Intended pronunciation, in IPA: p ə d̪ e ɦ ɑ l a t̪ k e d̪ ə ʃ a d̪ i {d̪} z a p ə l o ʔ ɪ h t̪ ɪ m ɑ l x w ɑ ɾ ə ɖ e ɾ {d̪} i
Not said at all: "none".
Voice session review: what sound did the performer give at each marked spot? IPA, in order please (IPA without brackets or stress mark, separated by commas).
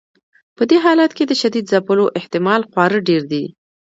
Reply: d̪, d̪